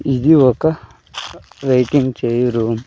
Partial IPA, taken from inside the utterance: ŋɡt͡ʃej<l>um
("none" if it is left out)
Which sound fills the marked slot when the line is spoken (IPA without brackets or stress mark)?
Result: ɾ